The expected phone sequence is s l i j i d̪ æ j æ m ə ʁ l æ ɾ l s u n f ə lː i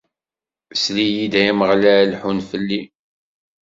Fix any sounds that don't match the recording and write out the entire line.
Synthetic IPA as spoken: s l i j i d̪ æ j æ m ə ʁ l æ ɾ l ħ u n f ə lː i